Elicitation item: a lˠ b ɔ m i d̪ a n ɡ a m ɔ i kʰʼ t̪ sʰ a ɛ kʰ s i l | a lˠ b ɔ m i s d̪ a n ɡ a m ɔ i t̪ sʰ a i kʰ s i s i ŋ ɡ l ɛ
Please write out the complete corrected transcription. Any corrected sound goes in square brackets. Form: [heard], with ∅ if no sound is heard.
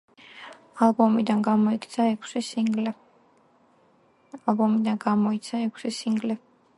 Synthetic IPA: a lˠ b ɔ m i d̪ a n ɡ a m ɔ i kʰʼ t̪ sʰ a ɛ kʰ s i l | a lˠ b ɔ m i [∅] d̪ a n ɡ a m ɔ i t̪ sʰ a [ɛ] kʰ s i s i ŋ ɡ l ɛ

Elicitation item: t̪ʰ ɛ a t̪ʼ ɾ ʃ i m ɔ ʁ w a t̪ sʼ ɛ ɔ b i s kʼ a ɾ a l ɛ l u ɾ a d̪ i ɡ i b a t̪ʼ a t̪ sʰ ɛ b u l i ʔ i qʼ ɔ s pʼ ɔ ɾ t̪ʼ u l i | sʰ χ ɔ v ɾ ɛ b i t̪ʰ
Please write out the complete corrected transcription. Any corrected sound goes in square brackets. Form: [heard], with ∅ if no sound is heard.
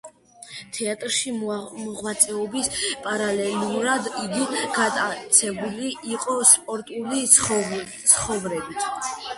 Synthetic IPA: t̪ʰ ɛ a t̪ʼ ɾ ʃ i m ɔ ʁ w a t̪ sʼ ɛ ɔ b i s [pʼ] a ɾ a l ɛ l u ɾ a d̪ i ɡ i [ɡ] a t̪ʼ a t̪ sʰ ɛ b u l i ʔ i qʼ ɔ s pʼ ɔ ɾ t̪ʼ u l i | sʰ χ ɔ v ɾ ɛ b i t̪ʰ

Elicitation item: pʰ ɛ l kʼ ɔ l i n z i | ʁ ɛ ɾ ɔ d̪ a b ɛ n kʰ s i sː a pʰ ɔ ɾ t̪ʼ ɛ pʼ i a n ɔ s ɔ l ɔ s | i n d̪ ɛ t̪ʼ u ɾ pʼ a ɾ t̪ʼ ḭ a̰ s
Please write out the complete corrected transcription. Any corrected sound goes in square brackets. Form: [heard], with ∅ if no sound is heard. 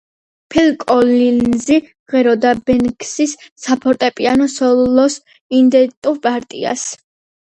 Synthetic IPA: pʰ ɛ l kʼ ɔ l i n z i | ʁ ɛ ɾ ɔ d̪ a b ɛ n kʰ s i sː a pʰ ɔ ɾ t̪ʼ ɛ pʼ i a n ɔ s ɔ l ɔ s | i n d̪ ɛ t̪ʼ u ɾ pʼ a ɾ t̪ʼ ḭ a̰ s

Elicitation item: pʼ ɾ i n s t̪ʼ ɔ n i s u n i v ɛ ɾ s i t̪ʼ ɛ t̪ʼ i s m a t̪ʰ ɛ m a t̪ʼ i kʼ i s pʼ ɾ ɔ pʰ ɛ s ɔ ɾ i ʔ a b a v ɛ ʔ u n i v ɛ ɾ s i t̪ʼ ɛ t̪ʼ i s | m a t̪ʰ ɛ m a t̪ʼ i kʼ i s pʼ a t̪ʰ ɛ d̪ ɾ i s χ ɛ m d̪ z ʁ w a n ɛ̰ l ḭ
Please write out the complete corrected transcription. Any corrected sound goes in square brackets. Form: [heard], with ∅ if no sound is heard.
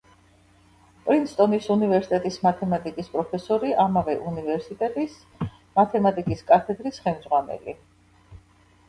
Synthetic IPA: pʼ ɾ i n s t̪ʼ ɔ n i s u n i v ɛ ɾ s i t̪ʼ ɛ t̪ʼ i s m a t̪ʰ ɛ m a t̪ʼ i kʼ i s pʼ ɾ ɔ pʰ ɛ s ɔ ɾ i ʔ a [m] a v ɛ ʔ u n i v ɛ ɾ s i t̪ʼ ɛ t̪ʼ i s | m a t̪ʰ ɛ m a t̪ʼ i kʼ i s [kʼ] a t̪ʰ ɛ d̪ ɾ i s χ ɛ m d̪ z ʁ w a n ɛ̰ l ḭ

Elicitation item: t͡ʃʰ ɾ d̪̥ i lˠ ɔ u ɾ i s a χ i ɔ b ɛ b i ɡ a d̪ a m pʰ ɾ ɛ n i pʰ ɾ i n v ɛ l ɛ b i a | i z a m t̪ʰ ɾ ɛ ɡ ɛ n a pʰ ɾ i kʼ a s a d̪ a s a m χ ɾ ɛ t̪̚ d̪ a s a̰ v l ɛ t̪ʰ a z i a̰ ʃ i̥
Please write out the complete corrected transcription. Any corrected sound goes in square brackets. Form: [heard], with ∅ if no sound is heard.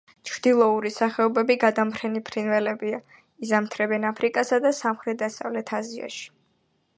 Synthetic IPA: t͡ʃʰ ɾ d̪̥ i lˠ ɔ u ɾ i s a χ [ɛ] ɔ b ɛ b i ɡ a d̪ a m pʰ ɾ ɛ n i pʰ ɾ i n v ɛ l ɛ b i a | i z a m t̪ʰ ɾ ɛ [b] ɛ n a pʰ ɾ i kʼ a s a d̪ a s a m χ ɾ ɛ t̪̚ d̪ a s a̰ v l ɛ t̪ʰ a z i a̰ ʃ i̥

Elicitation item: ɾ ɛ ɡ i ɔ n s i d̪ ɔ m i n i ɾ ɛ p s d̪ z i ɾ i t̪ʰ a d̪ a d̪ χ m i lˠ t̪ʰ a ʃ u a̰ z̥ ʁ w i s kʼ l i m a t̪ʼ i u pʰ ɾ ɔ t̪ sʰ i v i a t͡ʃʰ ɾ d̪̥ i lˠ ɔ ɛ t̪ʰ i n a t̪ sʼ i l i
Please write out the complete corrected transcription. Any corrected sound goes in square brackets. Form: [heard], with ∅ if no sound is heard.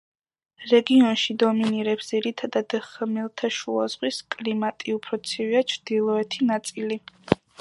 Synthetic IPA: ɾ ɛ ɡ i ɔ n [ʃ] i d̪ ɔ m i n i ɾ ɛ p s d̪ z i ɾ i t̪ʰ a d̪ a d̪ χ m i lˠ t̪ʰ a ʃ u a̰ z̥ ʁ w i s kʼ l i m a t̪ʼ i u pʰ ɾ ɔ t̪ sʰ i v i a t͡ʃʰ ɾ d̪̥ i lˠ ɔ ɛ t̪ʰ i n a t̪ sʼ i l i

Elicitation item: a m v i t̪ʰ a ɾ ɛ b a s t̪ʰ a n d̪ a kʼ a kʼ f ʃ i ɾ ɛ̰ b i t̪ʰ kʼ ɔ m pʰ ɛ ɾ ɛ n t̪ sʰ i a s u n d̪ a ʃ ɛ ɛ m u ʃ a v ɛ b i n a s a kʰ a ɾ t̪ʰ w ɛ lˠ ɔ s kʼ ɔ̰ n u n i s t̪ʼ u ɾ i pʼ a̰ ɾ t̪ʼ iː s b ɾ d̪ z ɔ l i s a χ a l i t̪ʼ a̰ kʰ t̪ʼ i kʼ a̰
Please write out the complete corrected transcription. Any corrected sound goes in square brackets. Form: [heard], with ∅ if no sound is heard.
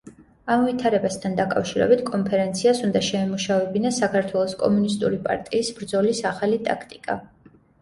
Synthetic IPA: a m v i t̪ʰ a ɾ ɛ b a s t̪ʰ a n d̪ a kʼ a [∅] f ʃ i ɾ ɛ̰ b i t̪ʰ kʼ ɔ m pʰ ɛ ɾ ɛ n t̪ sʰ i a s u n d̪ a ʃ ɛ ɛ m u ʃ a v ɛ b i n a s a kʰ a ɾ t̪ʰ w ɛ lˠ ɔ s kʼ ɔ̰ [m] u n i s t̪ʼ u ɾ i pʼ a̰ ɾ t̪ʼ iː s b ɾ d̪ z ɔ l i s a χ a l i t̪ʼ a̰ kʰ t̪ʼ i kʼ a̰

